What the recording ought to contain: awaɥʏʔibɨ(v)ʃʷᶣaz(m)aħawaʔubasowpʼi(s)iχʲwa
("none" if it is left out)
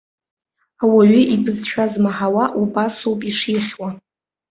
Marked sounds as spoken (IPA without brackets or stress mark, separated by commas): z, m, ʂ